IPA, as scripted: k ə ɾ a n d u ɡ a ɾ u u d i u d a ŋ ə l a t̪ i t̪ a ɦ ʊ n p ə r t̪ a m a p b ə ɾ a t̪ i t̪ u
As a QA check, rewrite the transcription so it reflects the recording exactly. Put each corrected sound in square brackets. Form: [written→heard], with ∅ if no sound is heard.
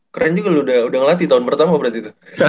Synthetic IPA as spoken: k ə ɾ a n [d→d͡ʒ] u ɡ a [ɾ→l] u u d [i→a] u d a ŋ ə l a t̪ i t̪ a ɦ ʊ n p ə r t̪ a m a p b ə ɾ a t̪ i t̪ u